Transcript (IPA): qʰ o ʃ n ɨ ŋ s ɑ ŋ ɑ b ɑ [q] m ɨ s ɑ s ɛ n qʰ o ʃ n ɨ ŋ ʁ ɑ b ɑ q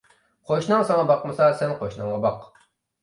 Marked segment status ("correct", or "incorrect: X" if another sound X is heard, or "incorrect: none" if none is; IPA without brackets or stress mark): correct